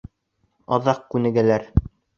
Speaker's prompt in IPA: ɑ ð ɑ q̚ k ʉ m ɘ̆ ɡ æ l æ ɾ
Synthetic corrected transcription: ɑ ð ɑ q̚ k ʉ n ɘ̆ ɡ æ l æ ɾ